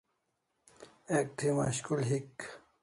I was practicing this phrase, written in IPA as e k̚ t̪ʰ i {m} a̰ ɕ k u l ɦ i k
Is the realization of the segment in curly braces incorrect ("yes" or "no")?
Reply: no